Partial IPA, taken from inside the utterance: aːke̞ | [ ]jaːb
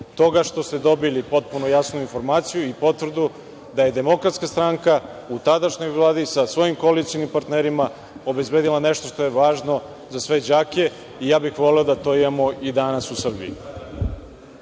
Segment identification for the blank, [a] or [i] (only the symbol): i